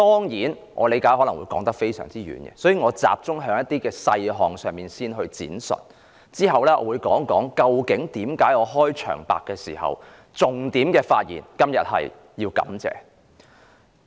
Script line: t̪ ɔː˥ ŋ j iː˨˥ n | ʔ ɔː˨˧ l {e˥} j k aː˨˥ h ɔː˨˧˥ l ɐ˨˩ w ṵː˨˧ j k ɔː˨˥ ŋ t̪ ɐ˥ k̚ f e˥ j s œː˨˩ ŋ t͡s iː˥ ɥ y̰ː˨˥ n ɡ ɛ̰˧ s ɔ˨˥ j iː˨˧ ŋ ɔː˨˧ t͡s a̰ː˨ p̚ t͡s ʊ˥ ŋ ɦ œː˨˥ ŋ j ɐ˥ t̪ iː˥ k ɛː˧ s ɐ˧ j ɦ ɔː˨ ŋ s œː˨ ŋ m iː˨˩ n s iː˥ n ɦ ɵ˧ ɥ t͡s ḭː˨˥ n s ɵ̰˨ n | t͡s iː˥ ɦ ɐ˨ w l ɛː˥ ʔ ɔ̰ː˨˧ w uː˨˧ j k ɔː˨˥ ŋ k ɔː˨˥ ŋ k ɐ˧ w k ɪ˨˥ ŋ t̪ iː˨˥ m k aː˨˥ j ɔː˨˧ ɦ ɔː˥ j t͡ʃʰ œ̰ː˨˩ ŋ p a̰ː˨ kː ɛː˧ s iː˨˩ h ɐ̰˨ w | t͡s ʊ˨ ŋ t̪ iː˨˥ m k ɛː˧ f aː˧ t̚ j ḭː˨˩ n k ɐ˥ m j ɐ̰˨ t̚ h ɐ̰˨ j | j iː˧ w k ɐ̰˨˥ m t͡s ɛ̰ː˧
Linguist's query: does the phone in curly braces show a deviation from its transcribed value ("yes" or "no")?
yes